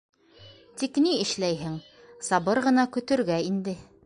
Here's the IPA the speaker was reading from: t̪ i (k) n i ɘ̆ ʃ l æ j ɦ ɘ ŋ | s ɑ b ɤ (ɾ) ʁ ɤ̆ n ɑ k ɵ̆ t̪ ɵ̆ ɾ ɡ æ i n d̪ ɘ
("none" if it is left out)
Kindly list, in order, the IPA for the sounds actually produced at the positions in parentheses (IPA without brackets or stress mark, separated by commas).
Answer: k, ɾ